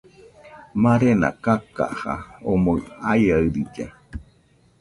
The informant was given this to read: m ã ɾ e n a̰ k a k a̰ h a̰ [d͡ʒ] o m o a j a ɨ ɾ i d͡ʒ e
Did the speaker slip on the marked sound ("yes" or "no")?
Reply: yes